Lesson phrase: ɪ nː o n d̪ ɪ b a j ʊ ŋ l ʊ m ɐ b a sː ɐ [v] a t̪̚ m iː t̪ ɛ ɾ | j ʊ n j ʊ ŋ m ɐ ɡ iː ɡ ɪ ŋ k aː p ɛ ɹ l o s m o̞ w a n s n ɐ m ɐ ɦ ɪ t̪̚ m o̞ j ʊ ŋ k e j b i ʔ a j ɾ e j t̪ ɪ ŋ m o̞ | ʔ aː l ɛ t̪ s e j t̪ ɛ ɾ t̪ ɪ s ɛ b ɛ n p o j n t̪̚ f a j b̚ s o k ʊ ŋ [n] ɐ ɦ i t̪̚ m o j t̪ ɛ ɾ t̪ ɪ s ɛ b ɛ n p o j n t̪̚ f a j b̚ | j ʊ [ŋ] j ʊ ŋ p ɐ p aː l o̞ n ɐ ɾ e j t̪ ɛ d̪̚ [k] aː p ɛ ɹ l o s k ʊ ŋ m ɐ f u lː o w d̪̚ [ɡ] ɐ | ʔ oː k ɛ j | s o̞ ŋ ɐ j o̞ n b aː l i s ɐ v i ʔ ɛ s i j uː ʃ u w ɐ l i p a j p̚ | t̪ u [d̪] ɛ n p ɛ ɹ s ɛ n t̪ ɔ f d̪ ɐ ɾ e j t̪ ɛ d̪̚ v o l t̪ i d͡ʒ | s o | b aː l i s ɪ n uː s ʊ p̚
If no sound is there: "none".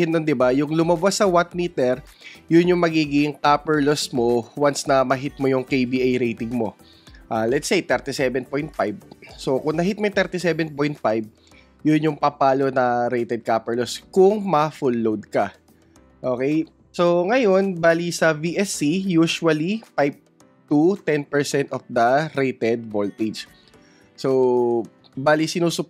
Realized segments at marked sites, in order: w, n, n, k, k, t̪

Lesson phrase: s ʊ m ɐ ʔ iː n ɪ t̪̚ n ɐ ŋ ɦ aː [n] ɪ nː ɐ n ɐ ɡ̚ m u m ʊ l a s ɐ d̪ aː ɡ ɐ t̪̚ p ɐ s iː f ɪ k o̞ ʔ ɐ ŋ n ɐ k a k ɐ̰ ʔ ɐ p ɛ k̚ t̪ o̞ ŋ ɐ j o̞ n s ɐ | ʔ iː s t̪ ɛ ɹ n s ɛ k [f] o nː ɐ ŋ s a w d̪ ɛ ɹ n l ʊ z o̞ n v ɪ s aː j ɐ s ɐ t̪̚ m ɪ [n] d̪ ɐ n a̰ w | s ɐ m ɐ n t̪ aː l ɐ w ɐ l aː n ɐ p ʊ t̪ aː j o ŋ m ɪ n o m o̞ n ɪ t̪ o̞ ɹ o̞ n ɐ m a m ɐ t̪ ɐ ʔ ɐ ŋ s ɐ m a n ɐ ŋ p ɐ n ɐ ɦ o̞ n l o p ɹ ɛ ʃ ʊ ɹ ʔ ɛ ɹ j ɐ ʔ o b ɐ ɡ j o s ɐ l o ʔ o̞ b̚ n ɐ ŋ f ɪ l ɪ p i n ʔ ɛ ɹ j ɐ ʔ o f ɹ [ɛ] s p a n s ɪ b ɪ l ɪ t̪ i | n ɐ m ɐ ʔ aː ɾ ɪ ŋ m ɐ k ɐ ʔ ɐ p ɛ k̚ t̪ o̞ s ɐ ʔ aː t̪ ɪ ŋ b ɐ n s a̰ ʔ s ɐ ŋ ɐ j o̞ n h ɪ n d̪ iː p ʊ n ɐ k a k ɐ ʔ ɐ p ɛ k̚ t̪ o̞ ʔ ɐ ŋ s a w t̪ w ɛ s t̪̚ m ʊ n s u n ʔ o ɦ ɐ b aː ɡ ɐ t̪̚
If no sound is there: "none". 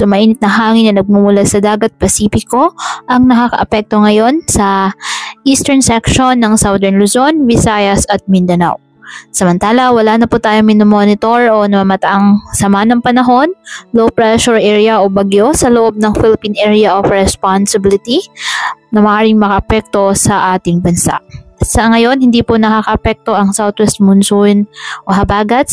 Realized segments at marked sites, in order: ŋ, ʃ, n, ɛ

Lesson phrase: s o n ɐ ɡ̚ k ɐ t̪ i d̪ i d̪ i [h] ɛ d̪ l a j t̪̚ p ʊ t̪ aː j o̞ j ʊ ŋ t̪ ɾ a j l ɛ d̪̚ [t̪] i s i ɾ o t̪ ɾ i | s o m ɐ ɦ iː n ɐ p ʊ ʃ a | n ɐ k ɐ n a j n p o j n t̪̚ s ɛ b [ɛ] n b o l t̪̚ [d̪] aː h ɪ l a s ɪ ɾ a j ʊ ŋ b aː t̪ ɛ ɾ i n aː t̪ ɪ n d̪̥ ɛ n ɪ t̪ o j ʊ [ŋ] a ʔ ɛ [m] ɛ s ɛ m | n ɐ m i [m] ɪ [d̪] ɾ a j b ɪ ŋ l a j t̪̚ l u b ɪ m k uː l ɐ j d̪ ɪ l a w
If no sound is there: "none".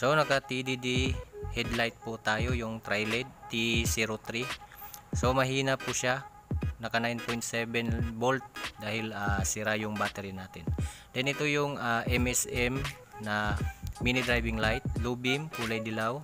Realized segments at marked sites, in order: h, t̪, ɛ, d̪, ŋ, m, n, d̪

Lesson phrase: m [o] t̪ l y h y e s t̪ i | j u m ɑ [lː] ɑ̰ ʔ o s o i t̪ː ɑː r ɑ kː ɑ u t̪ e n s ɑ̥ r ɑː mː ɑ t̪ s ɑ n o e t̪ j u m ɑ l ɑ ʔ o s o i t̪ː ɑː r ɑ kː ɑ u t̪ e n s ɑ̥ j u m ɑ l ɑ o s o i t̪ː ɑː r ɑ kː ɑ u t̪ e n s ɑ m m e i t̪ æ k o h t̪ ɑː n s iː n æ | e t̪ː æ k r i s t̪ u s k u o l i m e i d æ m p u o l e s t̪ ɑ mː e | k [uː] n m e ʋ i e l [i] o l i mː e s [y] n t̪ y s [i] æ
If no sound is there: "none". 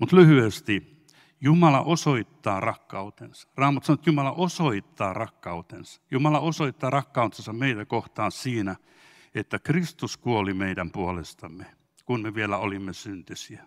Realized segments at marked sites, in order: u, l, u, æ, y, i

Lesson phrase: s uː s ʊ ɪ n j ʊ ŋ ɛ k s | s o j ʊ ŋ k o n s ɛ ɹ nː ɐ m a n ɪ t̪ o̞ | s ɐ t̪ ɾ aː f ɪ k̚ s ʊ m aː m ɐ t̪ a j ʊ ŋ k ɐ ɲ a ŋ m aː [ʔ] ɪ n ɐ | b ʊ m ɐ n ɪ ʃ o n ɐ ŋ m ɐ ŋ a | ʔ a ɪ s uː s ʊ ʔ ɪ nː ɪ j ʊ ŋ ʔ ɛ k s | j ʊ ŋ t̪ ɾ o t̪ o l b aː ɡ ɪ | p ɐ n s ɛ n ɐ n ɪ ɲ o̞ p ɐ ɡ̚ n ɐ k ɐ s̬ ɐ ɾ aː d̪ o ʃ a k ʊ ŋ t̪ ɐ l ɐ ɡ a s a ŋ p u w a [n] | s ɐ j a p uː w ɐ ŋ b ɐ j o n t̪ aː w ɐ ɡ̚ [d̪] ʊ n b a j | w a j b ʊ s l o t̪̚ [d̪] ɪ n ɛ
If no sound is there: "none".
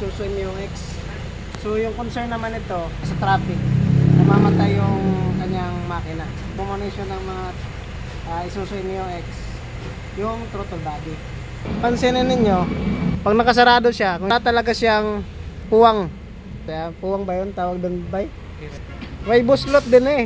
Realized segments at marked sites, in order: k, ŋ, d̪, d̪

